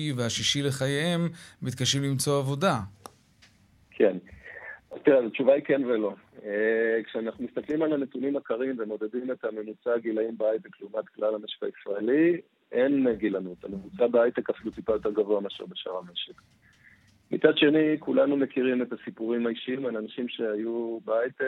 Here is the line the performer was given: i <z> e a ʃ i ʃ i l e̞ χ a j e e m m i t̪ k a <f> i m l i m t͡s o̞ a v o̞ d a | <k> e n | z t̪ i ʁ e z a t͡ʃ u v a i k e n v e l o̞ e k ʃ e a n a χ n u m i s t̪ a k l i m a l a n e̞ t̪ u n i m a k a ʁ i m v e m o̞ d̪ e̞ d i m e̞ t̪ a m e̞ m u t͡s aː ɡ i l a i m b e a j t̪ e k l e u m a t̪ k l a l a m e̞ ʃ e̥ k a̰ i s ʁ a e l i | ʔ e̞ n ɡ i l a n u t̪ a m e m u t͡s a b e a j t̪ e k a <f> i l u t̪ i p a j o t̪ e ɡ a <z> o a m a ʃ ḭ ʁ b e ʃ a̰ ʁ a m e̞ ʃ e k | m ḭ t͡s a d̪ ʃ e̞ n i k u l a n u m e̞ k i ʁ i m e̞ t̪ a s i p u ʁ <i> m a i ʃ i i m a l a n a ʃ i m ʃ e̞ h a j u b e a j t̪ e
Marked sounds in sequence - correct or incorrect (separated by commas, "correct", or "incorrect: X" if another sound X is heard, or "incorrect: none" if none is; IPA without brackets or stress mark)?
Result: incorrect: v, incorrect: ʃ, incorrect: kʰ, correct, incorrect: v, correct